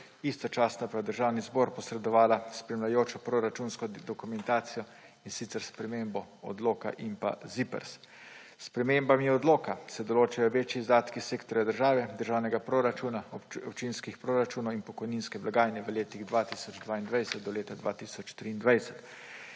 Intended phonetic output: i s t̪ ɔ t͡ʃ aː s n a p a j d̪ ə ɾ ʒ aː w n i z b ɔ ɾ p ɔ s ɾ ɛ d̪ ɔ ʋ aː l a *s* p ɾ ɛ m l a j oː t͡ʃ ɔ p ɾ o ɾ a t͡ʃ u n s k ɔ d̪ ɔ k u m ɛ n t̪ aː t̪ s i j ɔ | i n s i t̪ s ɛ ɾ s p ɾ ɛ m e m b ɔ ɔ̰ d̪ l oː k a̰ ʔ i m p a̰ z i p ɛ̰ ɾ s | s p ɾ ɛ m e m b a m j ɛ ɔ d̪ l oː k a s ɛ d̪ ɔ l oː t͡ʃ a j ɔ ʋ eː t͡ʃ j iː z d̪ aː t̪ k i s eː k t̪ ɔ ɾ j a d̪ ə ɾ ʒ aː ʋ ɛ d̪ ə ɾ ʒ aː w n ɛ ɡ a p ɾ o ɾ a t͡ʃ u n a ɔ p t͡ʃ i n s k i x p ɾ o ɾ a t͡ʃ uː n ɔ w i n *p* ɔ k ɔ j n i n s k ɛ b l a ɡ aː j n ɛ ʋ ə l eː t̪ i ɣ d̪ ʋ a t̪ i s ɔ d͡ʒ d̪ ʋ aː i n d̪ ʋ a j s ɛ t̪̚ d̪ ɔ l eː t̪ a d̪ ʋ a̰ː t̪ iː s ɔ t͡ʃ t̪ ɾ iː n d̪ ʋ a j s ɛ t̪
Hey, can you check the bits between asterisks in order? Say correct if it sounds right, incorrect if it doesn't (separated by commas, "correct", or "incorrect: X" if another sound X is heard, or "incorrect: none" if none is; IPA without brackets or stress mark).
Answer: correct, correct